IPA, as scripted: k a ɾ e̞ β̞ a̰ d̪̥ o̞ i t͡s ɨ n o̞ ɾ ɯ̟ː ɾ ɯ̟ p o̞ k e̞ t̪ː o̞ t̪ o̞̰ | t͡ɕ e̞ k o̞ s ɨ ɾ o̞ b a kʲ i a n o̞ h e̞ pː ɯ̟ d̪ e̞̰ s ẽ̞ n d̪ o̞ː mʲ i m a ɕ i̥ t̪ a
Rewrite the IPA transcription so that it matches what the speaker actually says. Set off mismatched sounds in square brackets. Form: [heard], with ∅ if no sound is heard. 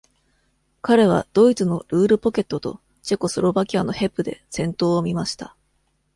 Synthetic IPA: k a ɾ e̞ β̞ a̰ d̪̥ o̞ i t͡s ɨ n o̞ ɾ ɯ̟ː ɾ ɯ̟ p o̞ k e̞ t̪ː o̞ t̪ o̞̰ | t͡ɕ e̞ k o̞ s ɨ ɾ o̞ b a kʲ i a n o̞ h e̞ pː ɯ̟ d̪ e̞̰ s ẽ̞ n [t̪] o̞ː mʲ i m a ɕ i̥ t̪ a